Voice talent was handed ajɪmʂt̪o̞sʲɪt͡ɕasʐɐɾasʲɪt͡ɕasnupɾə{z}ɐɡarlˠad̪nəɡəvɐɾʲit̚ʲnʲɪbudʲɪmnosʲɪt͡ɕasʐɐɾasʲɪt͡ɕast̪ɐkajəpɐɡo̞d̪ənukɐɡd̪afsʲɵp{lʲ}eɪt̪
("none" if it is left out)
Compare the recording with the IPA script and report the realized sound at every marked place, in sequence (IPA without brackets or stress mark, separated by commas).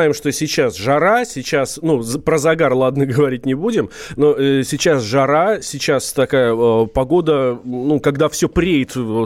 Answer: z, ɾʲ